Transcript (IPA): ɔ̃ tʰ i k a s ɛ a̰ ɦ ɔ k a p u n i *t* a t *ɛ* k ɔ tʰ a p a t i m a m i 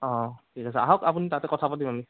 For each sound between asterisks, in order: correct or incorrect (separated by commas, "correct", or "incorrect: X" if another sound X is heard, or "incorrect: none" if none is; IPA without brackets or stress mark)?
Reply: correct, correct